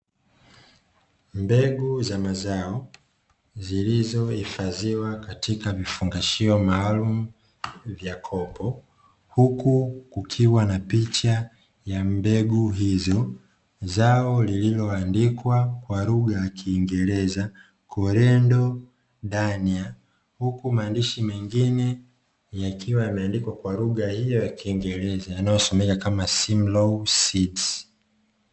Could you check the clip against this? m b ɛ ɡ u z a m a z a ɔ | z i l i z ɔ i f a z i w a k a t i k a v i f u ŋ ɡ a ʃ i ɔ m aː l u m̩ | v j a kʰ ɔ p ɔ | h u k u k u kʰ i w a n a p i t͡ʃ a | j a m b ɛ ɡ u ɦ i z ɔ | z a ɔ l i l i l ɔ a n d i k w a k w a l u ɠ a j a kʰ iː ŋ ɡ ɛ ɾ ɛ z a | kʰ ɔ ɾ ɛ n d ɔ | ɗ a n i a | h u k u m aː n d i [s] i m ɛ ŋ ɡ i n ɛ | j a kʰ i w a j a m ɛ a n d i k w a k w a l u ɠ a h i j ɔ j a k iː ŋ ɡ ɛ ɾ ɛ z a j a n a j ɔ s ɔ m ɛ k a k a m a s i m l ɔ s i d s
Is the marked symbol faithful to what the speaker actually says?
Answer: no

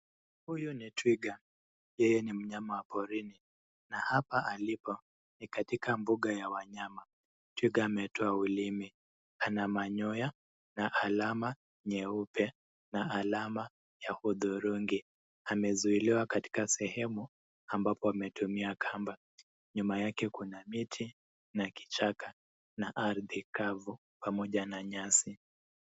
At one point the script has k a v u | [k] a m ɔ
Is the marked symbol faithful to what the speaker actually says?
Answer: no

